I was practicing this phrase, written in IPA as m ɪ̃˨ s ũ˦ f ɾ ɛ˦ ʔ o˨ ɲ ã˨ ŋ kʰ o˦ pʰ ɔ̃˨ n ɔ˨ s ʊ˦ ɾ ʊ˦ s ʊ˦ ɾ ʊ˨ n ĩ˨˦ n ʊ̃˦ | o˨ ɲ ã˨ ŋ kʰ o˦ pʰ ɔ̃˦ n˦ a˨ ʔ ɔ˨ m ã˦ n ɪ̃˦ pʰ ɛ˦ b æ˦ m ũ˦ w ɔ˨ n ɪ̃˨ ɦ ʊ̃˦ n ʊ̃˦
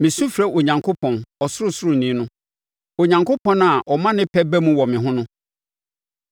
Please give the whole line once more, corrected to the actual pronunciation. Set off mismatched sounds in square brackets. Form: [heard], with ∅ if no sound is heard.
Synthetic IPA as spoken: m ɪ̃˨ s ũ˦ f ɾ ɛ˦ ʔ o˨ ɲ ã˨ ŋ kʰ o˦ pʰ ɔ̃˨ n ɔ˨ s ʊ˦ ɾ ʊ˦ s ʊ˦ ɾ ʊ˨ n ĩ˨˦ n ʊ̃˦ | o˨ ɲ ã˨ ŋ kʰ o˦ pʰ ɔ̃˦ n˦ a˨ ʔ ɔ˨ m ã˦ n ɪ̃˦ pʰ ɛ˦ b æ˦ m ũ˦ w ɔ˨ [m] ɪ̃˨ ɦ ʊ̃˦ n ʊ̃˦